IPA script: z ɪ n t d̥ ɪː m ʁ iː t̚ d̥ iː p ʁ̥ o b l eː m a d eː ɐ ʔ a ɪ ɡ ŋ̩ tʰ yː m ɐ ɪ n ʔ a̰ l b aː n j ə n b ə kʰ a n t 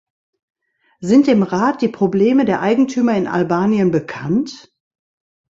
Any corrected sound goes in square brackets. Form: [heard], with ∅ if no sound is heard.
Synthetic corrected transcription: z ɪ n t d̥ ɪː m ʁ [aː] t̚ d̥ iː p ʁ̥ o b l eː m [ə] d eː ɐ ʔ a ɪ ɡ ŋ̩ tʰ yː m ɐ ɪ n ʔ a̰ l b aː n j ə n b ə kʰ a n t